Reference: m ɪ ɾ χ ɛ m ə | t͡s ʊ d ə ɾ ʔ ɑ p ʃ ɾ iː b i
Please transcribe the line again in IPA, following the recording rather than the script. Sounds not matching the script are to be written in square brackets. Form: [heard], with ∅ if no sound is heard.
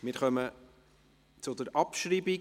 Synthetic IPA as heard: m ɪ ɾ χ [œ] m ə | t͡s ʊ d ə ɾ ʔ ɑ p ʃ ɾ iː b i